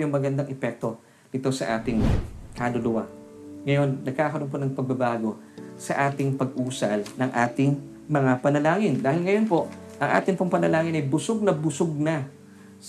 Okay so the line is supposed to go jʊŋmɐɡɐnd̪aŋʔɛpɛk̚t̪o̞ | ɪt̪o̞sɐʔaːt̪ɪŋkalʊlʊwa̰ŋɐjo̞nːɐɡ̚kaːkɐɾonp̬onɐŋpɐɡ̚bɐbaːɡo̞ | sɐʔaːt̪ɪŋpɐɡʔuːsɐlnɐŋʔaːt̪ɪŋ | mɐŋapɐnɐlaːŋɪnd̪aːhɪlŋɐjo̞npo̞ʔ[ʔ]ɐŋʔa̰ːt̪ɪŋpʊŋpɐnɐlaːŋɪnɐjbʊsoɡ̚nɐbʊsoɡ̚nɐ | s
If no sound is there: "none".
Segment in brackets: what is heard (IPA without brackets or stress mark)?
ʔ